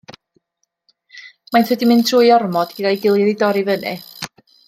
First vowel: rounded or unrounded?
unrounded